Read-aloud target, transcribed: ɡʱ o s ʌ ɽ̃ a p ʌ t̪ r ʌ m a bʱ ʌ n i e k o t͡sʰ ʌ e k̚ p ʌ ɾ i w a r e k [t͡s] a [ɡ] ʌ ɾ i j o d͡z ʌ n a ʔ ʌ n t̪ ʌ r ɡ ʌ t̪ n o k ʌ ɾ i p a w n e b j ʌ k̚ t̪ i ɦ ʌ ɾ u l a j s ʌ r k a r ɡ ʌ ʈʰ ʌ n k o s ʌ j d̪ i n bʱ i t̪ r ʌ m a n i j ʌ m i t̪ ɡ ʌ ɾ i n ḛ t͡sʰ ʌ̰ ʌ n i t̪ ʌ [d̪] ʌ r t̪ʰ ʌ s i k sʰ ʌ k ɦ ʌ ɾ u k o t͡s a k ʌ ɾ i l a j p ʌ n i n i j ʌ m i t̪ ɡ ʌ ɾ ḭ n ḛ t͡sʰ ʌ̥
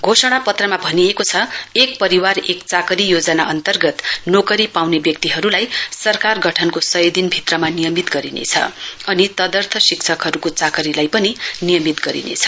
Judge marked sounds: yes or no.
yes, no, yes

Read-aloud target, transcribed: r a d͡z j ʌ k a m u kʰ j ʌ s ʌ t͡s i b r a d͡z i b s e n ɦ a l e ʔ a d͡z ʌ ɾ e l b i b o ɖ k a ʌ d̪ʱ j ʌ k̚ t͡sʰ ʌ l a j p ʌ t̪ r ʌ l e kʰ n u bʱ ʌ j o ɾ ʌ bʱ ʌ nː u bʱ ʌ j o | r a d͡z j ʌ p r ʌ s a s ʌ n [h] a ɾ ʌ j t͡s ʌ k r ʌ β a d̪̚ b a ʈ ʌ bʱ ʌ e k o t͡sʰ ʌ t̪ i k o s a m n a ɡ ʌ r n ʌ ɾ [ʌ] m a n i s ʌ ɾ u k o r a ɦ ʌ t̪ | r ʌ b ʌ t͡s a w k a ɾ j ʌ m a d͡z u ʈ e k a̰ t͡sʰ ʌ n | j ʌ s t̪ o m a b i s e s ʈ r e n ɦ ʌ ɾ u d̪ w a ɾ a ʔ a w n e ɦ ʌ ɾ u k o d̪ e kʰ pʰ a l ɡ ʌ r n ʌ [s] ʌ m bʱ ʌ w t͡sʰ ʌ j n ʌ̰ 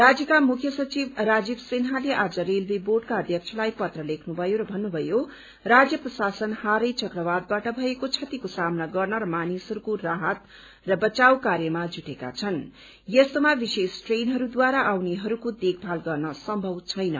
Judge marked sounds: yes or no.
yes, yes, yes

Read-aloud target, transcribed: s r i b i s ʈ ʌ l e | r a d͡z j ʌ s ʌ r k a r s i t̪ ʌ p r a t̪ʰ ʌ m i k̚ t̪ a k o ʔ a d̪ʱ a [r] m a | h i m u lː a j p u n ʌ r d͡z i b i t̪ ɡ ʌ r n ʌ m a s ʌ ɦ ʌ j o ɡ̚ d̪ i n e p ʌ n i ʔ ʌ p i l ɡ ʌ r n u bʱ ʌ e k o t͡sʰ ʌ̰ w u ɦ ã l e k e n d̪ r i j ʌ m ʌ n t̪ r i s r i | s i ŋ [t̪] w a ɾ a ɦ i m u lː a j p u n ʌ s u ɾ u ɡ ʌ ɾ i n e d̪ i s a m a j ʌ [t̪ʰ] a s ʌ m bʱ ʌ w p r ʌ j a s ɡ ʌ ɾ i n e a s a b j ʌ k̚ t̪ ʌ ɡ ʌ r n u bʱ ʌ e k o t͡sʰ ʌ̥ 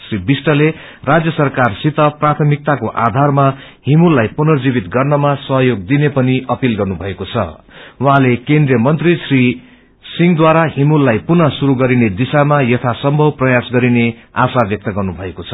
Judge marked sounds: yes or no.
yes, no, yes

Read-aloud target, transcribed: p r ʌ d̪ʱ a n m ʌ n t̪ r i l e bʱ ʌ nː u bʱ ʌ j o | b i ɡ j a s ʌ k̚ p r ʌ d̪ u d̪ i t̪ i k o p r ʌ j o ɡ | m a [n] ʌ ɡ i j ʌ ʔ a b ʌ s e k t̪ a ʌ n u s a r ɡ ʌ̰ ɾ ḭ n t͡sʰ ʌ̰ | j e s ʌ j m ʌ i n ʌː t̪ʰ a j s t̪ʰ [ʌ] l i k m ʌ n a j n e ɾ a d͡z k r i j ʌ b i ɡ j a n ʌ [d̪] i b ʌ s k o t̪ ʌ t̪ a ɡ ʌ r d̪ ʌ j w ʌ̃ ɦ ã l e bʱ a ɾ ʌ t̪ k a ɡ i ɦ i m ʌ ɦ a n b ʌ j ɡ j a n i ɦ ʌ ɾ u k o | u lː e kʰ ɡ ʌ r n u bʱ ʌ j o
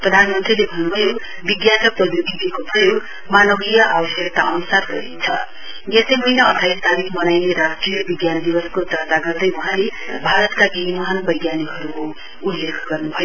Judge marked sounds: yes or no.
yes, no, yes

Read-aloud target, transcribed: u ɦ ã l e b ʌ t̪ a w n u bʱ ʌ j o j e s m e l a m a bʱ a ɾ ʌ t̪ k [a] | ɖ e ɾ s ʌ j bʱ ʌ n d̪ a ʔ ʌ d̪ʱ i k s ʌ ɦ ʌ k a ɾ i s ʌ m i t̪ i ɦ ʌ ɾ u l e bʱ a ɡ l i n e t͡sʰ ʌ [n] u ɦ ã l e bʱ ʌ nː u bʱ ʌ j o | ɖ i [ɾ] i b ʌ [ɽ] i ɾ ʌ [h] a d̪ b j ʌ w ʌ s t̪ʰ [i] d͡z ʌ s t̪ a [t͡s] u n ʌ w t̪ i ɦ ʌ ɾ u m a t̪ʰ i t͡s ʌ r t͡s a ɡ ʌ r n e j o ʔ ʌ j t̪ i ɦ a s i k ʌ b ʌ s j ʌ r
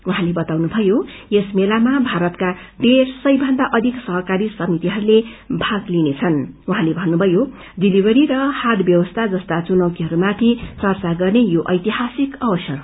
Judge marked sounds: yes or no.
yes, yes, no, no, yes, no, yes

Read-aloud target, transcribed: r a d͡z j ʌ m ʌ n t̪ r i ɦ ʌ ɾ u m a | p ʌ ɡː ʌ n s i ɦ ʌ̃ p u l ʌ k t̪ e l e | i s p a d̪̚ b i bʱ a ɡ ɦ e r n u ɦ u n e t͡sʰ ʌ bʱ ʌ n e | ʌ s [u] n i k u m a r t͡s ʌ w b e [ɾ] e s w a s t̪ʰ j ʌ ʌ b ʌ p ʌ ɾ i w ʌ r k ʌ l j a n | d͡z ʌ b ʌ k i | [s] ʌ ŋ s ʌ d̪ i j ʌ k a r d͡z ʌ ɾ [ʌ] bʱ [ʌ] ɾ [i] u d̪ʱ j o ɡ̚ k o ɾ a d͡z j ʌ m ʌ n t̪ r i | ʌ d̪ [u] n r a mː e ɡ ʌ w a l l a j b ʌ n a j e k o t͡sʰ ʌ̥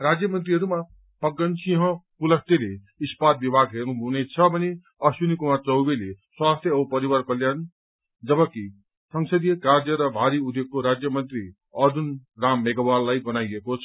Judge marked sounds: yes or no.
yes, no, yes, yes, no, yes, yes

